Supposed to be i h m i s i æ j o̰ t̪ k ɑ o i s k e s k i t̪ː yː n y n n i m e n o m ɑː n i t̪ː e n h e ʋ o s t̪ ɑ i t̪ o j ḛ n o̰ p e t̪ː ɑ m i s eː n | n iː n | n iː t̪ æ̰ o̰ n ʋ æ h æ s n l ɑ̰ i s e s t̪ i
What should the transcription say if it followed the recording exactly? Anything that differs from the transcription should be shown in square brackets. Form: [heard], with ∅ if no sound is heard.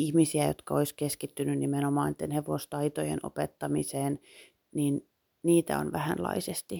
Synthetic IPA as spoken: i h m i s i æ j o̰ t̪ k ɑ o i s k e s k i t̪ː [y] n y n n i m e n o m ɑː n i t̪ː e n h e ʋ o s t̪ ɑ i t̪ o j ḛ n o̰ p e t̪ː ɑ m i s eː n | n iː n | n iː t̪ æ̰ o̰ n ʋ æ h æ [∅] n l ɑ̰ i s e s t̪ i